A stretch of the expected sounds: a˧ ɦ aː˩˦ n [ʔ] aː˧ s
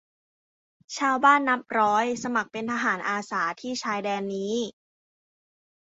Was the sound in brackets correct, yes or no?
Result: yes